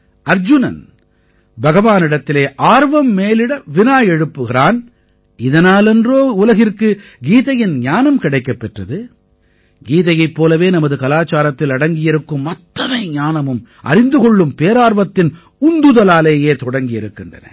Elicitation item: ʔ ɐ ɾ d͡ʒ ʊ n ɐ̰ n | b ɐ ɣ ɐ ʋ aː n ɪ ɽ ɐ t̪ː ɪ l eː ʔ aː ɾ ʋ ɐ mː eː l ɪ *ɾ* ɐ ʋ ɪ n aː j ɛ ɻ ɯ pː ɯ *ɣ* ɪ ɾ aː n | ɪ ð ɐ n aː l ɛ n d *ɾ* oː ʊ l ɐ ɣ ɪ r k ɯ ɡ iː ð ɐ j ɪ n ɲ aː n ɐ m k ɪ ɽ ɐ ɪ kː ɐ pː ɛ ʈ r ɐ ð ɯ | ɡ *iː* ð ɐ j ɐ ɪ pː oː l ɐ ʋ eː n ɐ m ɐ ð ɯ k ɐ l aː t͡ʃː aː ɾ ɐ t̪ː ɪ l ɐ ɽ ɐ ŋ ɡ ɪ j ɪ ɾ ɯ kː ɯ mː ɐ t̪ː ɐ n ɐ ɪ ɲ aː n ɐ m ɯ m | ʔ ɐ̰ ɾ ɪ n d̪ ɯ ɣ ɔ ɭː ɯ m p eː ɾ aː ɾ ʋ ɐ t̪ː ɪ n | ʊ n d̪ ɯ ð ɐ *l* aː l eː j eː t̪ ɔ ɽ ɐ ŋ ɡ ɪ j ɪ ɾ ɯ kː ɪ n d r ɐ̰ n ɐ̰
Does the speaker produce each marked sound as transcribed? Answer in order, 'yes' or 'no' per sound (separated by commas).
no, yes, no, yes, yes